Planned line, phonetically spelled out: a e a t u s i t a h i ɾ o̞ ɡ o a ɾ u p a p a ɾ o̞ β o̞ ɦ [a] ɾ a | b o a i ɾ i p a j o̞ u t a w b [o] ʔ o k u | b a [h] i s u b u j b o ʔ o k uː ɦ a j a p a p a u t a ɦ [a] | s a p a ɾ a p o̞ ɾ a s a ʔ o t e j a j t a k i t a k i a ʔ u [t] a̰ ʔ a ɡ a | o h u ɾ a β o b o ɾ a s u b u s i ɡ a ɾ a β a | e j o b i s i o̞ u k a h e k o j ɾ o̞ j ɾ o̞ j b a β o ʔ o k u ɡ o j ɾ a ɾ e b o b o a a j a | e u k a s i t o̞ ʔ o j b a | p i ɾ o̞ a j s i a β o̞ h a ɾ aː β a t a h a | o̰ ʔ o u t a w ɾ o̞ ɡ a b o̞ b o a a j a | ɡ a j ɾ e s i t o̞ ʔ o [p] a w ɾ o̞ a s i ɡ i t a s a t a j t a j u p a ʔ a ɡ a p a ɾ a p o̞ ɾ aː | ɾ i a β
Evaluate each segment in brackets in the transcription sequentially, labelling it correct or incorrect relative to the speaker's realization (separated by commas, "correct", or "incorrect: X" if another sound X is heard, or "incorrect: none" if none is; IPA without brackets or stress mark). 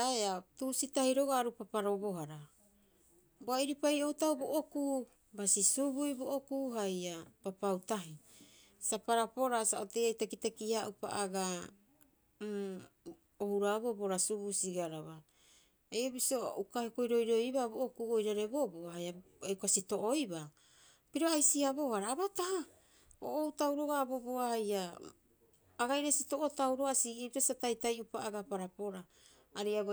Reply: correct, correct, incorrect: s, incorrect: i, incorrect: p, incorrect: t